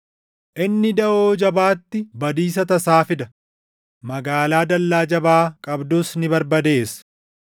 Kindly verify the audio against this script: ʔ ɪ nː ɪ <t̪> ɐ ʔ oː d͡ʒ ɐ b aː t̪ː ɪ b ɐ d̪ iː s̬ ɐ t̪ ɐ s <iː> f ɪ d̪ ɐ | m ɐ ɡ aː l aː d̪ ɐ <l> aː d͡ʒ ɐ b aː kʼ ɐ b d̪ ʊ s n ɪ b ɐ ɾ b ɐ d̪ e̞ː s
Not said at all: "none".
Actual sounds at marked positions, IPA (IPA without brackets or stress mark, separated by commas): d̪, aː, lː